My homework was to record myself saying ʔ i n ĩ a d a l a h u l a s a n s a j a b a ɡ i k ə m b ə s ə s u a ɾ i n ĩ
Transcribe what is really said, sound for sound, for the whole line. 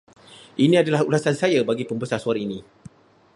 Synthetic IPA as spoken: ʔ i n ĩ a d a l a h u l a s a n s a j a b a ɡ i p ə m b ə s a s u a ɾ i n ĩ